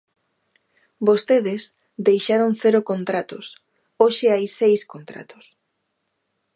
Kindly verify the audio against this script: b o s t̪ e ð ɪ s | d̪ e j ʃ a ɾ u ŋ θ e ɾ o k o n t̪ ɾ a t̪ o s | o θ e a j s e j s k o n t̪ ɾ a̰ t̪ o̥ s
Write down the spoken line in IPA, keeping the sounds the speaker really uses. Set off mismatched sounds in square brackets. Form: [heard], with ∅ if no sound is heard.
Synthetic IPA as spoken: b o s t̪ e ð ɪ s | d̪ e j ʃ a ɾ [o] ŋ θ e ɾ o k o n t̪ ɾ a t̪ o s | o [ʃ] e a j s e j s k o n t̪ ɾ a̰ t̪ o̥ s